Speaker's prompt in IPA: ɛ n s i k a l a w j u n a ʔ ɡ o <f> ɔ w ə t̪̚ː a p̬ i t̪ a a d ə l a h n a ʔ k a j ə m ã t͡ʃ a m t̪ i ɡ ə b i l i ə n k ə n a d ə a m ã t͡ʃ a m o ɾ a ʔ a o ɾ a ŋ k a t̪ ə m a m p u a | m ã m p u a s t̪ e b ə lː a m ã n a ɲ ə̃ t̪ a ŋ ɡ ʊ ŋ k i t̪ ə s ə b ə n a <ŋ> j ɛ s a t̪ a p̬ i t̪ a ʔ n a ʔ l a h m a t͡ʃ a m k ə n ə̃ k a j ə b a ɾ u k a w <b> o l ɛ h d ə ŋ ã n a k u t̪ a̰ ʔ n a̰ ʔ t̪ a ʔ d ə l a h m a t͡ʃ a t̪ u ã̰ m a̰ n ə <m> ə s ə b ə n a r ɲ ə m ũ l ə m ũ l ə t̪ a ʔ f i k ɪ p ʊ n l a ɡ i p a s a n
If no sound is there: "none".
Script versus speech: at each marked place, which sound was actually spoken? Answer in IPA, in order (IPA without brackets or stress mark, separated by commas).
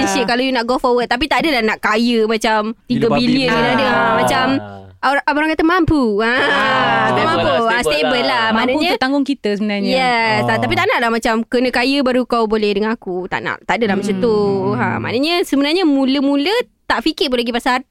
f, ɲ, b, ɲ